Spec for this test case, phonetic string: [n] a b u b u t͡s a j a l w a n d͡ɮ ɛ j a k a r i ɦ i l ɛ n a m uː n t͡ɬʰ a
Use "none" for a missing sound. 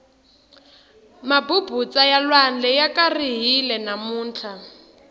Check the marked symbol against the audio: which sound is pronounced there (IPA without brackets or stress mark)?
m